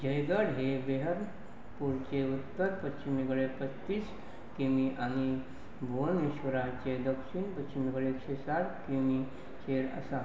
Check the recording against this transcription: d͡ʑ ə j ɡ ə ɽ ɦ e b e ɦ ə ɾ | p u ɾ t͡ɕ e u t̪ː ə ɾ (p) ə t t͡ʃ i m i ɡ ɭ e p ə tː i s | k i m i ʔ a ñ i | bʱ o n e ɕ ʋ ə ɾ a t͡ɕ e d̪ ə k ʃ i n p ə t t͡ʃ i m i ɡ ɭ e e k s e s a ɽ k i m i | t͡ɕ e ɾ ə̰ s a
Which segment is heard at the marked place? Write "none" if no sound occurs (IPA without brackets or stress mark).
p